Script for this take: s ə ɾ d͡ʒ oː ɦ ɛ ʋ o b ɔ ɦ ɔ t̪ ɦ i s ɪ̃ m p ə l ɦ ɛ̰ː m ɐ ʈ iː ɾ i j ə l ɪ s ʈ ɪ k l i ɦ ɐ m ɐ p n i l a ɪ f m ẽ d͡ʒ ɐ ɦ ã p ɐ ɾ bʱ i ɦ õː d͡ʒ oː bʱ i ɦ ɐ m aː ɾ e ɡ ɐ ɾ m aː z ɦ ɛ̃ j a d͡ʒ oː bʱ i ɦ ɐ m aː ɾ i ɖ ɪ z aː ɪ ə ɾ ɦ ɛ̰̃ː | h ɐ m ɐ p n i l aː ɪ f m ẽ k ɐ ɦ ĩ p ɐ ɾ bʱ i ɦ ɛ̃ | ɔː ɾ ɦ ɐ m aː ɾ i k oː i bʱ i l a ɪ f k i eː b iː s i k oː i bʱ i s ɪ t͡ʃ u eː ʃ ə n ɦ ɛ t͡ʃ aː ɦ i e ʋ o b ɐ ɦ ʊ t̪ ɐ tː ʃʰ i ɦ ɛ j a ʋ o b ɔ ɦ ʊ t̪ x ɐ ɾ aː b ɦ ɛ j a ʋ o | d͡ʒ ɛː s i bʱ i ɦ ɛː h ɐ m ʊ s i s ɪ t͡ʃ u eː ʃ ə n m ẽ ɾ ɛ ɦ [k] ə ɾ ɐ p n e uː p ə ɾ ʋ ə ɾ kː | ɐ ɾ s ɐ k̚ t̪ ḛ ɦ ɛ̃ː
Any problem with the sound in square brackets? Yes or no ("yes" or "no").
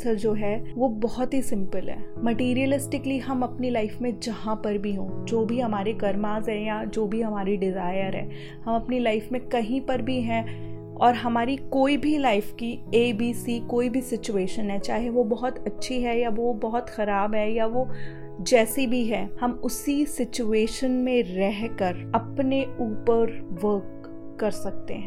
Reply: no